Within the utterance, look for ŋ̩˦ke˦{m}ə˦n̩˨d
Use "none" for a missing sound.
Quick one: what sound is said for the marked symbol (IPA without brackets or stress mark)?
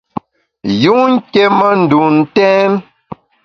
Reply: m